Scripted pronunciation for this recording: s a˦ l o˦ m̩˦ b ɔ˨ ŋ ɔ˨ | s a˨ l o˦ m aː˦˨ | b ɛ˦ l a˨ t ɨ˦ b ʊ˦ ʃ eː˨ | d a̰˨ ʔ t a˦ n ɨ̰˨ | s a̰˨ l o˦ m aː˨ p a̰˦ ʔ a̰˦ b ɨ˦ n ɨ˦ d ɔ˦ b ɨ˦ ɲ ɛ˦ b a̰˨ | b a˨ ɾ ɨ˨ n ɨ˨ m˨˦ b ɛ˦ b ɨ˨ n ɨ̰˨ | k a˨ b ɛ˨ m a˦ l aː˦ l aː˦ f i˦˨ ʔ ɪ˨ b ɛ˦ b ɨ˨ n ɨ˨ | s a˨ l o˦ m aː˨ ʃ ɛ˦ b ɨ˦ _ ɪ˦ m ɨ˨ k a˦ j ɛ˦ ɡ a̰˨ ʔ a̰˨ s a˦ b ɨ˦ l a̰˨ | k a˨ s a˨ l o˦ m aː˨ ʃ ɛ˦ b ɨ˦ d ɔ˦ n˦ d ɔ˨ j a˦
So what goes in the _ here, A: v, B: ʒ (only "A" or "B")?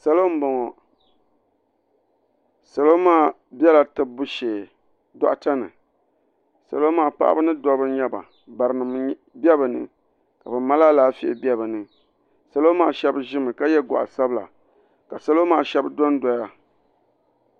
B